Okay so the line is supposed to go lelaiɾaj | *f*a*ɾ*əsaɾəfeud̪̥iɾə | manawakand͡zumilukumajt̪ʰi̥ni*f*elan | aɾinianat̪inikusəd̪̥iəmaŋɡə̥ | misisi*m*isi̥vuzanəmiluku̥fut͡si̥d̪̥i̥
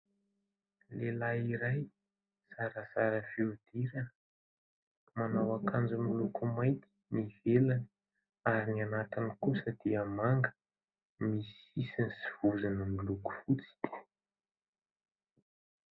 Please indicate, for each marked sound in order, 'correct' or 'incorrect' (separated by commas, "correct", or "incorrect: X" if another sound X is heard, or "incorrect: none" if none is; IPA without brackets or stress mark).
incorrect: s, correct, incorrect: v, incorrect: n